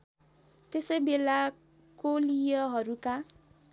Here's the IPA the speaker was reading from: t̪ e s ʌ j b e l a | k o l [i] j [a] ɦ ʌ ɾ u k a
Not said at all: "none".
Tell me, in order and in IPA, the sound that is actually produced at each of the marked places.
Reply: i, ʌ

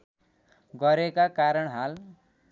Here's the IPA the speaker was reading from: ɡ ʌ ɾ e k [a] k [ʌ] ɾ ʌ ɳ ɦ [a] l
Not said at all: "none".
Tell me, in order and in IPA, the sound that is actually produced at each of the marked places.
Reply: a, a, a

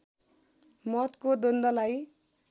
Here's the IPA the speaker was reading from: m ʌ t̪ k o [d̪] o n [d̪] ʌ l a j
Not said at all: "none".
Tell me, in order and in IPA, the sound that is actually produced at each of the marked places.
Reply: d̪, d̪

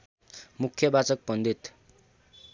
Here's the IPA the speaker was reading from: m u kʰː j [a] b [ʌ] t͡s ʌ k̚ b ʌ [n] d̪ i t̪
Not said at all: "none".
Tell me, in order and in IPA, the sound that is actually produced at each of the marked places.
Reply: ʌ, a, n

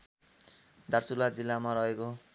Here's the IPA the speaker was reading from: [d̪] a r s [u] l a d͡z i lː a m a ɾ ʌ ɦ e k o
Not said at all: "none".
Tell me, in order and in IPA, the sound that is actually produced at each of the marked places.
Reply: d̪, u

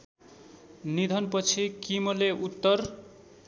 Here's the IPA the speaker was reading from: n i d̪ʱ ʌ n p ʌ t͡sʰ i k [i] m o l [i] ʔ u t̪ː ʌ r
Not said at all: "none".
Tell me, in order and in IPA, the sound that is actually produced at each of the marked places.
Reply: i, e

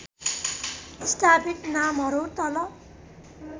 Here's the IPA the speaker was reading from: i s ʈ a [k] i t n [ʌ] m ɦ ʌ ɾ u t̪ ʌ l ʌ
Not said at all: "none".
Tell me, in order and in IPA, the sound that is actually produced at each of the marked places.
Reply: p, a

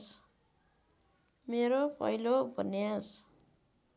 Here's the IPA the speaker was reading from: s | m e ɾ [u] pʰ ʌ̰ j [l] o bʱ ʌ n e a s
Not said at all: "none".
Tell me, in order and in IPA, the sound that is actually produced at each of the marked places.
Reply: o, l

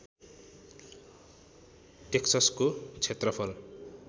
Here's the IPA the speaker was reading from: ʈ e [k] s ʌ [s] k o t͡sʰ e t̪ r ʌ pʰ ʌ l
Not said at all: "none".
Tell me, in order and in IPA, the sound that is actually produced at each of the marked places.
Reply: k, s

